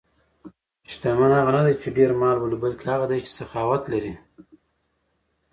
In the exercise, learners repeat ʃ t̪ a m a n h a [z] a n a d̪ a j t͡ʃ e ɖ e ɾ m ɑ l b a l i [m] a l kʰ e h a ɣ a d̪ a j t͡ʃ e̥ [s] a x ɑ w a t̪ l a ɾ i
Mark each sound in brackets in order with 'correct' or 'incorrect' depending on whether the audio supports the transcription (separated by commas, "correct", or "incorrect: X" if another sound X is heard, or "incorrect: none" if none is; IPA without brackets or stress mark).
incorrect: ɣ, incorrect: b, correct